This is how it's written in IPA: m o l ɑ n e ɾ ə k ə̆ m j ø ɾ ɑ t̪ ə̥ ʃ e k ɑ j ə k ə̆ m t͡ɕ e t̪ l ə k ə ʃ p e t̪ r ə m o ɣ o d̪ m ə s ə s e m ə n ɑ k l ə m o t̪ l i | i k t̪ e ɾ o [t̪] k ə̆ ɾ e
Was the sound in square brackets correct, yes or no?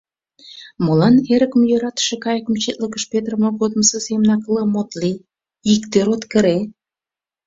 yes